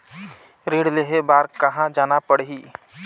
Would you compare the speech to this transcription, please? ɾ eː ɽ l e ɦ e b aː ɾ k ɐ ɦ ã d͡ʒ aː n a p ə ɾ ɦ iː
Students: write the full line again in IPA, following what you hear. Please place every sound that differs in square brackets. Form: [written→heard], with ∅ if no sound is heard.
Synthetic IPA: ɾ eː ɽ l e ɦ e b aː ɾ k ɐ ɦ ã d͡ʒ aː n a p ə [ɾ→ɽ] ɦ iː

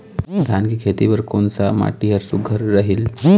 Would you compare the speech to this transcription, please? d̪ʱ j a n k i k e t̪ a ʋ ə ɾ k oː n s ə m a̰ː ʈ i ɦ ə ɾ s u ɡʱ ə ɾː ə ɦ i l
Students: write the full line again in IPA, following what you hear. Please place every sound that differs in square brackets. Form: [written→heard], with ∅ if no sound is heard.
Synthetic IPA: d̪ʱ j a n k i [k→kʰ] e t̪ [a→i] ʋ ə ɾ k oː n s [ə→a] m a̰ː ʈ i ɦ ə ɾ s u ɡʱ ə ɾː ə ɦ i l

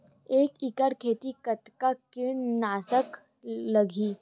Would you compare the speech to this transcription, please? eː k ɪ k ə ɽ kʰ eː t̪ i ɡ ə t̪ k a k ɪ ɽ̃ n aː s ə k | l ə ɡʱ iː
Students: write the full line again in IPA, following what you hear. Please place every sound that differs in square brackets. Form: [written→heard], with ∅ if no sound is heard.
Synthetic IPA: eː k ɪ k ə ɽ kʰ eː t̪ i [ɡ→k] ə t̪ k a k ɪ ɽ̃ n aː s ə k | l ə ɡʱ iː

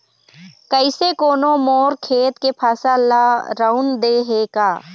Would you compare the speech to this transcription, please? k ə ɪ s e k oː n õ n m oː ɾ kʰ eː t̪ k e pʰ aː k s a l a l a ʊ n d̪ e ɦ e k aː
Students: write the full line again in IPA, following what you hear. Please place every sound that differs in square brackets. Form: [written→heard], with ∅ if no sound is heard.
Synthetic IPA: k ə ɪ s e k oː n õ [n→∅] m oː ɾ kʰ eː t̪ k e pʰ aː [k→∅] s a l a [l→ɾ] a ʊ n d̪ e ɦ e k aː

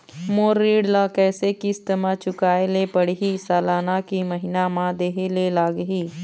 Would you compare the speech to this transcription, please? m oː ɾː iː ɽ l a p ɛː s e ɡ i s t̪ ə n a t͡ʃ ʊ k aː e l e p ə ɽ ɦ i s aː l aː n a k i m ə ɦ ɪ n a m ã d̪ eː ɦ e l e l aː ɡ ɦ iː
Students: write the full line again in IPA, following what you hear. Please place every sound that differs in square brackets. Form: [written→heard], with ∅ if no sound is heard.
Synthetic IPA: m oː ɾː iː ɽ l a [p→k] ɛː s e [ɡ→k] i s t̪ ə [n→m] a t͡ʃ ʊ k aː e l e p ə ɽ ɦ i s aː l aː n a k i m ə ɦ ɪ n a m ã d̪ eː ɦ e l e l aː ɡ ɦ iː

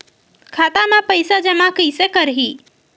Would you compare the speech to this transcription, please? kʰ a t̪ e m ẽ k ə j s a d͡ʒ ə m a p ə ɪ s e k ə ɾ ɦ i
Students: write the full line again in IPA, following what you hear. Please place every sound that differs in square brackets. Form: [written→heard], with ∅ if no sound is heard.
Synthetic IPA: kʰ a t̪ [e→a] m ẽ [k→p] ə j s a d͡ʒ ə m a [p→k] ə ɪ s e k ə ɾ ɦ i

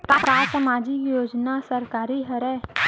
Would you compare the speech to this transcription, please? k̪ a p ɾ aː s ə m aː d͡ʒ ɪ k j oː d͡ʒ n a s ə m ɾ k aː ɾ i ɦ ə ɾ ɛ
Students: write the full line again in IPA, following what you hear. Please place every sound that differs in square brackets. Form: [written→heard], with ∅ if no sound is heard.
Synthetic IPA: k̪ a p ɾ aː s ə m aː d͡ʒ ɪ k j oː d͡ʒ n a s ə [m→∅] ɾ k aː ɾ i ɦ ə ɾ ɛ

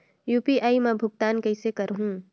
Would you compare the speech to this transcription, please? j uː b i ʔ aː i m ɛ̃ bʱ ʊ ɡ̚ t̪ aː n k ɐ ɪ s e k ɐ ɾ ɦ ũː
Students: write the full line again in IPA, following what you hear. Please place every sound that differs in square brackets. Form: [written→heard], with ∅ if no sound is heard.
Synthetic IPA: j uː [b→p] i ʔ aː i m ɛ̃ bʱ ʊ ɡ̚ t̪ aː n k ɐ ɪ s e k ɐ ɾ ɦ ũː

